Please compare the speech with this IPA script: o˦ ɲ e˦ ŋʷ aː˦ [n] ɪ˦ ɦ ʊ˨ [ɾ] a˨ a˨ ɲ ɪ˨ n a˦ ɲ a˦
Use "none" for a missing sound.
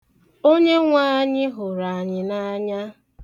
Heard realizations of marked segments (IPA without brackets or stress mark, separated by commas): ɲ, ɾ